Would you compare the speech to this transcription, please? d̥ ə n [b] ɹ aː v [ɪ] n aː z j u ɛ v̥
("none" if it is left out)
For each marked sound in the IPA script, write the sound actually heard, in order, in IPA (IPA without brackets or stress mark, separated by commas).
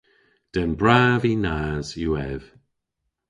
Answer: b, i